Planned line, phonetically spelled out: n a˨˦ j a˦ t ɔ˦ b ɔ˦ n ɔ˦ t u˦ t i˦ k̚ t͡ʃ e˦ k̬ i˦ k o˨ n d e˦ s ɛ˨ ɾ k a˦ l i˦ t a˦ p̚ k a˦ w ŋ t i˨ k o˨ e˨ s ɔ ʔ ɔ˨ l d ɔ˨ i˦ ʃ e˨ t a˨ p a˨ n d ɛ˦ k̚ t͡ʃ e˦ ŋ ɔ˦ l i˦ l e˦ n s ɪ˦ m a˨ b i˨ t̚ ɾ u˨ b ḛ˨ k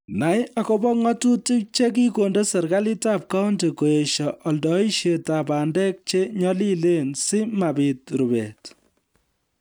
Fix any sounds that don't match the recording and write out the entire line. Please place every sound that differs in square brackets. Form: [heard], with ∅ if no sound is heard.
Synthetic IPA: n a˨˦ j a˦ [k] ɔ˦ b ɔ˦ [ŋ] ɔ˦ t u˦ t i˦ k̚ t͡ʃ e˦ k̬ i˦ k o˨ n d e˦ s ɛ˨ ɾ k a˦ l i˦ t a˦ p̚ k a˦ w [n] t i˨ k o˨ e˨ [ʃ] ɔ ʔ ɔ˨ l d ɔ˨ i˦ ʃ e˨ t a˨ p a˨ n d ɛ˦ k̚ t͡ʃ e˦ [ɲ] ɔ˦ l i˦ l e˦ n s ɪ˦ m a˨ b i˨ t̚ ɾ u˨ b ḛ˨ [t]